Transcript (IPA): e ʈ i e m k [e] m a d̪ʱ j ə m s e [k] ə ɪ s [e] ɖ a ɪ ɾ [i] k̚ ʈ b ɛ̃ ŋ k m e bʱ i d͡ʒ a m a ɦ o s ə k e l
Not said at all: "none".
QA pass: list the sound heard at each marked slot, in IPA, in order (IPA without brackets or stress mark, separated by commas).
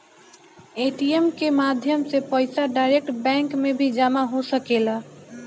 e, p, a, e